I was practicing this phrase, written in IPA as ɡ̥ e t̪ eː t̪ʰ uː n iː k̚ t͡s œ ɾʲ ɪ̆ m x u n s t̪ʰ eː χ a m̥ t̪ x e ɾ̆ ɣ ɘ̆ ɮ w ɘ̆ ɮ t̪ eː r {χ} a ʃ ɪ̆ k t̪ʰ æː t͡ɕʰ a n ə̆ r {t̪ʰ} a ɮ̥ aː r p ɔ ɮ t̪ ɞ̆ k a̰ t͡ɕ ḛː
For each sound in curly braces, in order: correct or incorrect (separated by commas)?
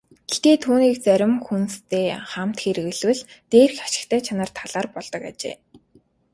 incorrect, correct